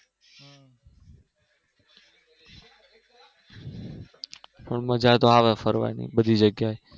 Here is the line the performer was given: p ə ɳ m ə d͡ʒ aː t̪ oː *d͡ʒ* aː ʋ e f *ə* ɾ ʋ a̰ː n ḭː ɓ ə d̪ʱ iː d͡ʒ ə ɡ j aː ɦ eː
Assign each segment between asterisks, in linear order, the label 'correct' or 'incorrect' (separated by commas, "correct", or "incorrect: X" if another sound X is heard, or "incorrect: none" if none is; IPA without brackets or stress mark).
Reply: incorrect: none, correct